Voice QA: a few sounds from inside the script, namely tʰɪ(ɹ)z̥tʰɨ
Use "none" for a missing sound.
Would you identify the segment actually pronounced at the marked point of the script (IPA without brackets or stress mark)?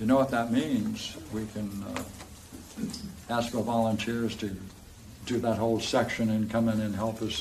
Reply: ɹ